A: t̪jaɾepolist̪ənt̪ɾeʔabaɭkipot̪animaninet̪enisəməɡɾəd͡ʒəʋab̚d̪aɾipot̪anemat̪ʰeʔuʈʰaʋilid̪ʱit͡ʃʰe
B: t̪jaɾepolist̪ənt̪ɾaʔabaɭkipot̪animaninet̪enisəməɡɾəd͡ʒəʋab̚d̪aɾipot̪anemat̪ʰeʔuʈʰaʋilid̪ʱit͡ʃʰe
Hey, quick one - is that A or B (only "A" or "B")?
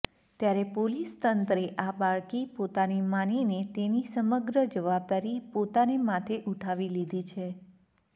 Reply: A